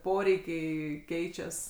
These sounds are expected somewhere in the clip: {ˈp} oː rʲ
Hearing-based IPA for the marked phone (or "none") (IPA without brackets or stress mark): p